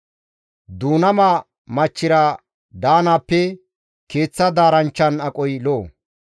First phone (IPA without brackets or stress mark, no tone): d̪